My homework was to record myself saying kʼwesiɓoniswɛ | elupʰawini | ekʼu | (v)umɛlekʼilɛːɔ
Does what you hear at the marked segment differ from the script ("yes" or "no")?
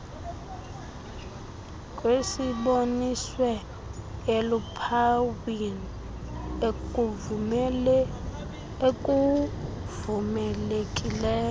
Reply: no